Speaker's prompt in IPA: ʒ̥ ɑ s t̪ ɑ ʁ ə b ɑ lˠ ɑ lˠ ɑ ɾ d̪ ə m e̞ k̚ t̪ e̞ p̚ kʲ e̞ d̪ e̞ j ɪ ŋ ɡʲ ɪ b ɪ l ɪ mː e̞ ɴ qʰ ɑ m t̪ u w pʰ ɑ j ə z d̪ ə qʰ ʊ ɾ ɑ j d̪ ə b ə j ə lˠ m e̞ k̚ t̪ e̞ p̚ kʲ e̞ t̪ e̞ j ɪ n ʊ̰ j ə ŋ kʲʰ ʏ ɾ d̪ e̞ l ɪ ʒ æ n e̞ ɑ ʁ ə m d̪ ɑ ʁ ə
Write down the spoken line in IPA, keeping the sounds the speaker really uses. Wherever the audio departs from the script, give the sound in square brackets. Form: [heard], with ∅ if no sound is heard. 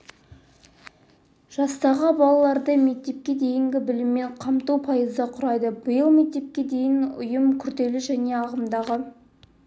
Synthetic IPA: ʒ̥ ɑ s t̪ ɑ ʁ ə b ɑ lˠ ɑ lˠ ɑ ɾ d̪ ə m e̞ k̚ t̪ e̞ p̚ kʲ e̞ d̪ e̞ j ɪ ŋ ɡʲ ɪ b ɪ l ɪ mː e̞ ɴ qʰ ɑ m t̪ u w pʰ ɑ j ə z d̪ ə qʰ ʊ ɾ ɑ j d̪ ə b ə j ə lˠ m e̞ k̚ t̪ e̞ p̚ kʲ e̞ [d̪] e̞ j ɪ n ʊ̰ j ə [m] kʲʰ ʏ ɾ d̪ e̞ l ɪ ʒ æ n e̞ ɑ ʁ ə m d̪ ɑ ʁ ə